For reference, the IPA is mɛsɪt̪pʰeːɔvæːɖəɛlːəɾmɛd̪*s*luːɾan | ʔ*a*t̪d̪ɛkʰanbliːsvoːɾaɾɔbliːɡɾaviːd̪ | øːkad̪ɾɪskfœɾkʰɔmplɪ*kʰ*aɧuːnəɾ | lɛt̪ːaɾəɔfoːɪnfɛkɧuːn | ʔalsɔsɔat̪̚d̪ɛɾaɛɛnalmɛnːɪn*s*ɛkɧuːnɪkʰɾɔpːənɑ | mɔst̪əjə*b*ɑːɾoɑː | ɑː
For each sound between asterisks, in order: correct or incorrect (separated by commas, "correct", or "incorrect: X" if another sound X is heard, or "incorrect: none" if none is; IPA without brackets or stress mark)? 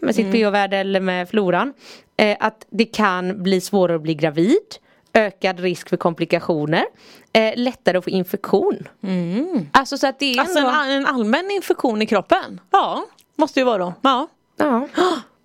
incorrect: f, correct, incorrect: k, incorrect: f, incorrect: v